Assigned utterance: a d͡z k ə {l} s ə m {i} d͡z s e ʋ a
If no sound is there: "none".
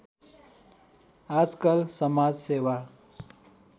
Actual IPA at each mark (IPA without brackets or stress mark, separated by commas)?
l, a